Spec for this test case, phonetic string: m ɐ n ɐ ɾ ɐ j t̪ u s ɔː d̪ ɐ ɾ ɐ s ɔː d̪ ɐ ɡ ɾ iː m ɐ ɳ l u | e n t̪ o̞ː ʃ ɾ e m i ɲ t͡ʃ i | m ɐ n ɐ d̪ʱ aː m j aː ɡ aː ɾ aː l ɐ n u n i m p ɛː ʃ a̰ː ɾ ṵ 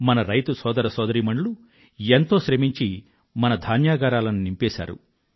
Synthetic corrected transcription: m ɐ n ɐ ɾ ɐ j t̪ u s ɔː d̪ ɐ ɾ ɐ s ɔː d̪ ɐ ɾ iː m ɐ ɳ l u | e n t̪ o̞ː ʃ ɾ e m i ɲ t͡ʃ i | m ɐ n ɐ d̪ʱ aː n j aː ɡ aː ɾ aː l ɐ n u n i m p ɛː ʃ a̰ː ɾ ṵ

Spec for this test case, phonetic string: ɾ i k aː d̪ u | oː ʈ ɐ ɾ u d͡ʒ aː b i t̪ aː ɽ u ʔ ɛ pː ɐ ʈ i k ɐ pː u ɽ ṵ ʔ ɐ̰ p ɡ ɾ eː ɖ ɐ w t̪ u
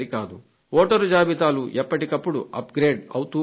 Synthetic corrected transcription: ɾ i k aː d̪ u | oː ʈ ɐ ɾ u d͡ʒ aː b i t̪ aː l u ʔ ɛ pː ɐ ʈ i k ɐ pː u ɽ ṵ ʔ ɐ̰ p ɡ ɾ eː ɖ ɐ w t̪ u

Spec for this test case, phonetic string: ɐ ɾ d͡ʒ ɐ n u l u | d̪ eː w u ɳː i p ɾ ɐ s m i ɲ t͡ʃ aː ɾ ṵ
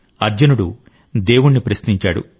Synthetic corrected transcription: ɐ ɾ d͡ʒ ɐ n u ɽ u | d̪ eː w u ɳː i p ɾ ɐ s n i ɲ t͡ʃ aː ɽ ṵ

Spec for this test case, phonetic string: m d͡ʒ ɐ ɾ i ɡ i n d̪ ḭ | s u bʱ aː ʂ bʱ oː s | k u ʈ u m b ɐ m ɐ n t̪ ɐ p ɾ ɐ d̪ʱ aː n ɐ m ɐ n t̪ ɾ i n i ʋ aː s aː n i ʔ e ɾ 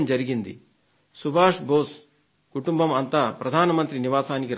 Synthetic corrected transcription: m d͡ʒ ɐ ɾ i ɡ i n d̪ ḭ | s u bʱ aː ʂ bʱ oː s | k u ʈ u m b ɐ m ɐ n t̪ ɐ p ɾ ɐ d̪ʱ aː n ɐ m ɐ n t̪ ɾ i n i ʋ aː s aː n i k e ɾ

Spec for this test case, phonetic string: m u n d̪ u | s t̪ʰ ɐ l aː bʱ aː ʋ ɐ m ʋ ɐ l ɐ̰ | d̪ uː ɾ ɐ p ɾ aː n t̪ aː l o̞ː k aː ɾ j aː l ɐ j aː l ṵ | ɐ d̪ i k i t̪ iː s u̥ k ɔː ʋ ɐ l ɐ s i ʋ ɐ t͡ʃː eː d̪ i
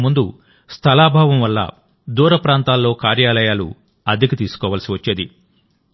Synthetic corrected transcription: m u n d̪ u | s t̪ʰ ɐ l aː bʱ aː ʋ ɐ m ʋ ɐ lː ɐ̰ | d̪ uː ɾ ɐ p ɾ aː n t̪ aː lː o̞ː k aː ɾ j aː l ɐ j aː l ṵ | ɐ d̪ i k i t̪ iː s u̥ k ɔː ʋ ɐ l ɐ s i ʋ ɐ t͡ʃː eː d̪ i

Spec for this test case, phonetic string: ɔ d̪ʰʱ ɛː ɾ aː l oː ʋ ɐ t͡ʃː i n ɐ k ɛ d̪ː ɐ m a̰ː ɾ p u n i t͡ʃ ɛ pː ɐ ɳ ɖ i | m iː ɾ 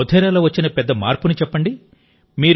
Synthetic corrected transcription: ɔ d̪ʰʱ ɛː ɾ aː l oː ʋ ɐ t͡ʃː i n ɐ p ɛ d̪ː ɐ m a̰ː ɾ p u n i t͡ʃ ɛ pː ɐ ɳ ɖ i | m iː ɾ

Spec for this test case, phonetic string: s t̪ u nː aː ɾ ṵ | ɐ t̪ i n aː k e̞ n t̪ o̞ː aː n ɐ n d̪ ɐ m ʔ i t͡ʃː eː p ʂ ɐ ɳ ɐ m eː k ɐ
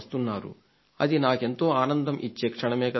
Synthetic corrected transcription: s t̪ u nː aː ɾ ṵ | ɐ d̪ i n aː k e̞ n t̪ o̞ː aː n ɐ n d̪ ɐ m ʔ i t͡ʃː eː k ʂ ɐ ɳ ɐ m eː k ɐ

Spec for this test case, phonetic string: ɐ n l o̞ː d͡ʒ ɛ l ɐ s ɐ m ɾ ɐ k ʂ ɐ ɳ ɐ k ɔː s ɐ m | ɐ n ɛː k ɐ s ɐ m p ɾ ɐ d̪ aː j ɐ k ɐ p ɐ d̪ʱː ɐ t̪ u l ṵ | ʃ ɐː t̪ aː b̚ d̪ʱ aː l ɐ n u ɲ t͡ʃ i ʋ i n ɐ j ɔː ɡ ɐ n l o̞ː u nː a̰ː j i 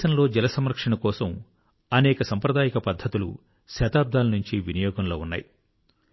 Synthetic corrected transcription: ɐ n l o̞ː d͡ʒ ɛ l ɐ s ɐ m ɾ ɐ k ʂ ɐ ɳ ɐ k ɔː s ɐ m | ɐ n ɛː k ɐ s ɐ m p ɾ ɐ d̪ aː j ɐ k ɐ p ɐ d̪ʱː ɐ t̪ u l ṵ | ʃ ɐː t̪ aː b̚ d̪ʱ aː l ɐ n u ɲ t͡ʃ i ʋ i n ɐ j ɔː ɡ ɐ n l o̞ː u nː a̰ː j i

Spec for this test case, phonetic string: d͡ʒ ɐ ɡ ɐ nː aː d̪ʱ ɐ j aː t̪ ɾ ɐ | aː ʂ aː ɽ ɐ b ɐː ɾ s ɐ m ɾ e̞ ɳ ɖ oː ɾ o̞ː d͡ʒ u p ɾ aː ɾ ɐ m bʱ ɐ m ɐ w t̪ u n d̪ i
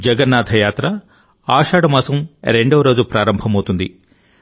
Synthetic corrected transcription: d͡ʒ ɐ ɡ ɐ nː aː d̪ʱ ɐ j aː t̪ ɾ ɐ | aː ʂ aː ɽ ɐ m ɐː s ɐ m ɾ e̞ ɳ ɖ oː ɾ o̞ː d͡ʒ u p ɾ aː ɾ ɐ m bʱ ɐ m ɐ w t̪ u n d̪ i

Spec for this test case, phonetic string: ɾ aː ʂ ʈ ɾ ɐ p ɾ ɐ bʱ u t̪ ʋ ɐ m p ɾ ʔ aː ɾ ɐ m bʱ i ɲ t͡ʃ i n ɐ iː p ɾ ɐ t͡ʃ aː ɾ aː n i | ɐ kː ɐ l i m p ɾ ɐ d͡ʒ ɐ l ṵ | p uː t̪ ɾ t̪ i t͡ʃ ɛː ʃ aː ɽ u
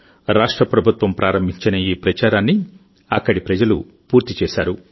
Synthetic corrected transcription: ɾ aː ʂ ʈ ɾ ɐ p ɾ ɐ bʱ u t̪ ʋ ɐ m p ɾ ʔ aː ɾ ɐ m bʱ i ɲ t͡ʃ i n ɐ iː p ɾ ɐ t͡ʃ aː ɾ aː nː i | ɐ kː ɐ ɽ i p ɾ ɐ d͡ʒ ɐ l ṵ | p uː ɾ t̪ i t͡ʃ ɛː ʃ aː ɾ u

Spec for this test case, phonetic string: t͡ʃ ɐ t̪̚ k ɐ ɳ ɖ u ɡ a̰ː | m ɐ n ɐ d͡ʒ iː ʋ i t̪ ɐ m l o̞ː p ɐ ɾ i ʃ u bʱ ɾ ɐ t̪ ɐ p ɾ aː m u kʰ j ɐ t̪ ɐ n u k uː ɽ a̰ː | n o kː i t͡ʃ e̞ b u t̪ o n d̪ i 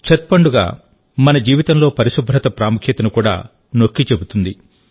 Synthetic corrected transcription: t͡ʃ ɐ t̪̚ p ɐ ɳ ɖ u ɡ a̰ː | m ɐ n ɐ d͡ʒ iː ʋ i t̪ ɐ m l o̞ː p ɐ ɾ i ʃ u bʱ ɾ ɐ t̪ ɐ p ɾ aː m u kʰ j ɐ t̪ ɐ n u k uː ɽ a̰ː | n o kː i t͡ʃ e̞ b u t̪ u n d̪ i

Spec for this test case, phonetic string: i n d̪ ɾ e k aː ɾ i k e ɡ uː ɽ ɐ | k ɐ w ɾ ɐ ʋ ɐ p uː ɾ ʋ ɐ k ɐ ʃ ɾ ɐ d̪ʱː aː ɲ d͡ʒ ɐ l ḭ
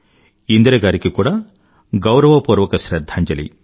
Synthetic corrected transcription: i n d̪ ɾ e ɡ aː ɾ i k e k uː ɽ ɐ | ɡ ɐ w ɾ ɐ ʋ ɐ p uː ɾ ʋ ɐ k ɐ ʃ ɾ ɐ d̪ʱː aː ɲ d͡ʒ ɐ l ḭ

